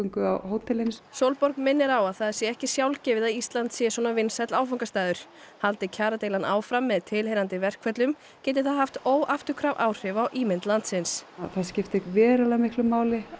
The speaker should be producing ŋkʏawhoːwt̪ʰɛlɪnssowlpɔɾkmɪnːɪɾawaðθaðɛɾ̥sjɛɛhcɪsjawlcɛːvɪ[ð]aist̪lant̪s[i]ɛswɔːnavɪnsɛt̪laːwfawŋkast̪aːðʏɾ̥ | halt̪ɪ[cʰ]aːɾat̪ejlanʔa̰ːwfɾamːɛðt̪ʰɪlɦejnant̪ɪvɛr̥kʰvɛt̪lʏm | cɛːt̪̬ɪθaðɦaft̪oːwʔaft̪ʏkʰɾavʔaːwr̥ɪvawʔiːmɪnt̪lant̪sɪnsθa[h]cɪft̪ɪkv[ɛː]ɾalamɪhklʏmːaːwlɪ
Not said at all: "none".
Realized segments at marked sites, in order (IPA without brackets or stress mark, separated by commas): ð, j, cʰ, s, ɛː